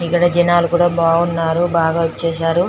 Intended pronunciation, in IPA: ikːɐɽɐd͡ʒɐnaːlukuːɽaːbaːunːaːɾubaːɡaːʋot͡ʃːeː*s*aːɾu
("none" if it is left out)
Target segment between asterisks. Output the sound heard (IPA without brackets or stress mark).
ʃ